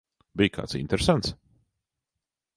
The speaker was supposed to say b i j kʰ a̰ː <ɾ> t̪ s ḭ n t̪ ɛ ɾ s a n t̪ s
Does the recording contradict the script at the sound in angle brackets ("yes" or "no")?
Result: yes